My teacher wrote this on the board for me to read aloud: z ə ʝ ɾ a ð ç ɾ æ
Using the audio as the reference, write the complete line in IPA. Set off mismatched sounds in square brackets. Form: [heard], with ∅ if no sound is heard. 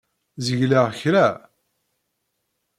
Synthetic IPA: z ə ʝ [l] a [ʁ] ç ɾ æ